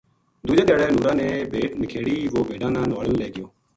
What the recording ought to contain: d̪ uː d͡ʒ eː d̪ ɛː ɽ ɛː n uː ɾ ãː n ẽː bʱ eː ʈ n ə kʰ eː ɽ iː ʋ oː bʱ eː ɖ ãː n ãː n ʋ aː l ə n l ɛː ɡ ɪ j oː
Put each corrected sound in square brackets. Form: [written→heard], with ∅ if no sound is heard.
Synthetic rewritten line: d̪ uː d͡ʒ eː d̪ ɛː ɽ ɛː n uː ɾ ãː n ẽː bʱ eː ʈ n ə kʰ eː ɽ iː ʋ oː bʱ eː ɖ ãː n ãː n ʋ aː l ə n l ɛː ɡ ɪ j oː